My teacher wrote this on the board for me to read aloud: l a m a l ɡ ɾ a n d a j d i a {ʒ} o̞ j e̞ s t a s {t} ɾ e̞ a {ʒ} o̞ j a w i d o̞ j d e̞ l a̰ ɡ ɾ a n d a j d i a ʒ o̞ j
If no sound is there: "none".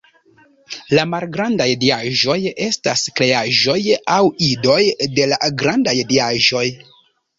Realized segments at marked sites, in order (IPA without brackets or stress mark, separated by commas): ʒ, k, ʒ